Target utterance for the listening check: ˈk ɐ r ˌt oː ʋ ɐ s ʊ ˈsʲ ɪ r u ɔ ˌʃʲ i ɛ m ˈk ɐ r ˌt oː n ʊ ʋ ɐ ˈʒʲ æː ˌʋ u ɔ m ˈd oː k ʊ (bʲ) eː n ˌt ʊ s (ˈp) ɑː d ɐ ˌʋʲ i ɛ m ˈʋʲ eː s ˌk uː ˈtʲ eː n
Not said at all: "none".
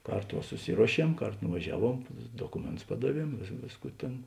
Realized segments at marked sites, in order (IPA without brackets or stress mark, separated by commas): mʲ, p